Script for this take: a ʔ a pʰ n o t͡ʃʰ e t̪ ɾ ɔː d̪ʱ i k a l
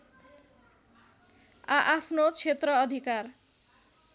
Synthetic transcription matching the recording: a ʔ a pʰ n o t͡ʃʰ e t̪ ɾ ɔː d̪ʱ i k a ɾ